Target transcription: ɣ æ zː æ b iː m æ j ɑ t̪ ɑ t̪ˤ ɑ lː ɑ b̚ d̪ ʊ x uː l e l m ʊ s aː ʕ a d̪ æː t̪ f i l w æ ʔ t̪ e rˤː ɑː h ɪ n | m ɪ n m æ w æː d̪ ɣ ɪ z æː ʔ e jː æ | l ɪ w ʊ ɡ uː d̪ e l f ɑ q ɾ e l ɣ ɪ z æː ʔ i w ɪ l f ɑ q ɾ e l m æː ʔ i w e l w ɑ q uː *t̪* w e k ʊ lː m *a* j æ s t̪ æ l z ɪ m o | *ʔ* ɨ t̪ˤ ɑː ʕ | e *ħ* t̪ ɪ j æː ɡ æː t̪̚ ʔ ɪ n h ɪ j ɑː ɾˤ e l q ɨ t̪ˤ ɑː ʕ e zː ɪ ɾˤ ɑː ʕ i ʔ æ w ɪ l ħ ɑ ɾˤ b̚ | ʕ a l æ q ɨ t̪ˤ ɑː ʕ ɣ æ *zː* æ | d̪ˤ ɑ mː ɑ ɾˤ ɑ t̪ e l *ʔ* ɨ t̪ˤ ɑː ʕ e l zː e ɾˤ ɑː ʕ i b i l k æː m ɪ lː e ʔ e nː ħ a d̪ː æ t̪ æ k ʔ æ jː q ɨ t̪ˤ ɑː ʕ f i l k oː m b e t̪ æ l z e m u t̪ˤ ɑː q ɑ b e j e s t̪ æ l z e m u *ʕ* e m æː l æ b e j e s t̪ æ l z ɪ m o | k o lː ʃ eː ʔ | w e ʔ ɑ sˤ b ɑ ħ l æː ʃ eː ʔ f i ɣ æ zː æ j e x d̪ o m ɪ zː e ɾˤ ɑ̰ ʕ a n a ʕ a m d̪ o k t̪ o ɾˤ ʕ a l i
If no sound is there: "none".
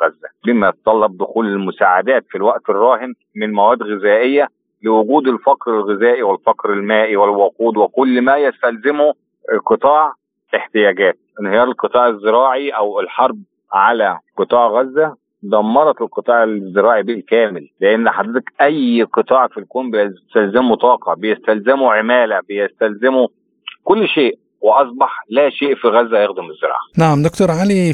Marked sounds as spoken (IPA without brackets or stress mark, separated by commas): d̪, æ, q, ħ, zː, q, ʕ